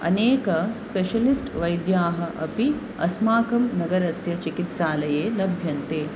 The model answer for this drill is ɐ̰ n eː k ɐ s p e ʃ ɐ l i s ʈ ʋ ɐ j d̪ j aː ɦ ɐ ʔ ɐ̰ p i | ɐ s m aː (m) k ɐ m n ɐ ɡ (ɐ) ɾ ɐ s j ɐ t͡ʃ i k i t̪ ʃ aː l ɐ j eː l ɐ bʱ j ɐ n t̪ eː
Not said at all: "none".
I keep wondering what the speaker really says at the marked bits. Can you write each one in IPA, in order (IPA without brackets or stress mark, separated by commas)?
none, ɐ